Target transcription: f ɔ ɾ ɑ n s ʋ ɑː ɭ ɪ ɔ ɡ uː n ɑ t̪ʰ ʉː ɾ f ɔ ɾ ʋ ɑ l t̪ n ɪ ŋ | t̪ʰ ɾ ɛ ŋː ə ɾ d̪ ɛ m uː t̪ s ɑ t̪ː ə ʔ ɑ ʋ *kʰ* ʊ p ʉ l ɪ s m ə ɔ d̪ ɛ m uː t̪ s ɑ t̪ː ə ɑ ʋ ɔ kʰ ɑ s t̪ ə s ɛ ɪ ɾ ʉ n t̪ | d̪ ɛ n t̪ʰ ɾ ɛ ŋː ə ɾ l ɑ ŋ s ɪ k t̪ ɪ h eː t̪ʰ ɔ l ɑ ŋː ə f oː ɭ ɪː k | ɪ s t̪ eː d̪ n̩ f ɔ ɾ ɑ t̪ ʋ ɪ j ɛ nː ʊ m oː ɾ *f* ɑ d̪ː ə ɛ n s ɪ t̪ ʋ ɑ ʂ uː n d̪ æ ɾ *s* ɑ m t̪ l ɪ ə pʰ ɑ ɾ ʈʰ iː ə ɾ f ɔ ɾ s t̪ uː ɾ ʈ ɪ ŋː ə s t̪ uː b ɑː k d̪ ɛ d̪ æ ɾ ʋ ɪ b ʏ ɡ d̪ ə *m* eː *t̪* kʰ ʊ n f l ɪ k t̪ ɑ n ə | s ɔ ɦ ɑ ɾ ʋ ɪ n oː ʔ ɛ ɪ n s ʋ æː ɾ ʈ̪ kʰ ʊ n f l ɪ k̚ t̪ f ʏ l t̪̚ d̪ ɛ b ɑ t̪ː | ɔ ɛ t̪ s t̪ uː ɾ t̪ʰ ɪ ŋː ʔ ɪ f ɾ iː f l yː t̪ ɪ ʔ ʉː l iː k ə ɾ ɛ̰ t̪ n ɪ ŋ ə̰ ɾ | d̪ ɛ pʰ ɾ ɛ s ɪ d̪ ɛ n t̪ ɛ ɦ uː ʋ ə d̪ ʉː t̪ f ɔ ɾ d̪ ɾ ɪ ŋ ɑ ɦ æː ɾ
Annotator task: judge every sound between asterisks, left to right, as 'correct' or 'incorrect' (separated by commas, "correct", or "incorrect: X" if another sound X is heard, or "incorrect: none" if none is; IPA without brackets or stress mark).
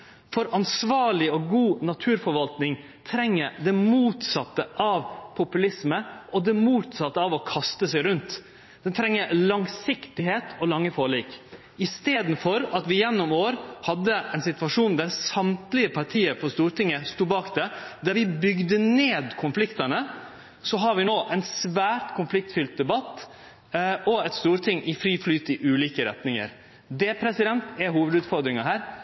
incorrect: pʰ, incorrect: h, correct, incorrect: n, incorrect: d̪